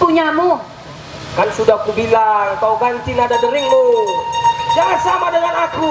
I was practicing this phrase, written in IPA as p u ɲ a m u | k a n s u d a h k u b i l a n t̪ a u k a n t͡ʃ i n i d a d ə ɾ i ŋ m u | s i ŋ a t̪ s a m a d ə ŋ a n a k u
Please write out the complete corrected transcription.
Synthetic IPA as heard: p u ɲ a m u | k a n s u d a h k u b i l a ŋ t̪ a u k a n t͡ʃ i n a d a d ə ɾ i ŋ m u | s a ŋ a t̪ s a m a d ə ŋ a n a k u